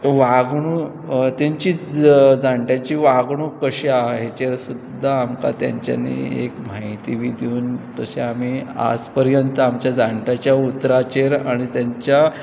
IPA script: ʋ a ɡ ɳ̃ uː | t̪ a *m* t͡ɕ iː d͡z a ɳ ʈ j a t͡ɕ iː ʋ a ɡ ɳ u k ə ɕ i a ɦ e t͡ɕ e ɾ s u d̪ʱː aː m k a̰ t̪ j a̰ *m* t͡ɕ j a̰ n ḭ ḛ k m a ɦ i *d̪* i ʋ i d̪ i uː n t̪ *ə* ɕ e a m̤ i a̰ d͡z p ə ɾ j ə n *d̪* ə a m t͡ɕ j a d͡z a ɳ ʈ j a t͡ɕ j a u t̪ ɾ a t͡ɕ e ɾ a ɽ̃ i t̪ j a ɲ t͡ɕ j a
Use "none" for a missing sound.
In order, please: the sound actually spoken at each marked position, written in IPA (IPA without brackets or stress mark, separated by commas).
ɲ, ɲ, t̪, ə, t̪